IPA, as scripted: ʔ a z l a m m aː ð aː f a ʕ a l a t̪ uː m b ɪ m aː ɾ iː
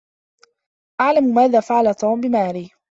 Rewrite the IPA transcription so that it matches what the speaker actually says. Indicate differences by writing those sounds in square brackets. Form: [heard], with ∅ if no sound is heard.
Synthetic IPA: ʔ a [ʕ] l a m m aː ð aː f a ʕ a l a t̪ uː m b ɪ m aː ɾ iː